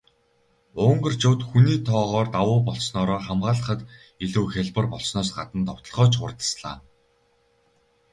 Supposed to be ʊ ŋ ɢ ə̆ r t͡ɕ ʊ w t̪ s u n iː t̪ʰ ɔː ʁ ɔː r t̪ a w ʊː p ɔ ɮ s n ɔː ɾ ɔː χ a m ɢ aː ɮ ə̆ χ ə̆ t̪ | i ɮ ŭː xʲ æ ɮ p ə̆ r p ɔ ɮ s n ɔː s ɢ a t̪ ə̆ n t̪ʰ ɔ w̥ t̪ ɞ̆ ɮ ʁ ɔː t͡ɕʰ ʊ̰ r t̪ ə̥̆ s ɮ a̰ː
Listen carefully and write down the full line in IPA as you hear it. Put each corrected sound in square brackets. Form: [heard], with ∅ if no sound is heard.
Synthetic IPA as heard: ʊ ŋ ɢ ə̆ r t͡ɕ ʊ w t̪ [x] u n iː t̪ʰ ɔː ʁ ɔː r t̪ a w ʊː p ɔ ɮ s n ɔː ɾ ɔː χ a m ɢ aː ɮ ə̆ χ ə̆ t̪ | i ɮ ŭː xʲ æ ɮ p ə̆ r p ɔ ɮ s n ɔː s ɢ a t̪ ə̆ n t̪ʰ ɔ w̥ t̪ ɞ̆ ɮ ʁ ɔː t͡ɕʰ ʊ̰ r t̪ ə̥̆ s ɮ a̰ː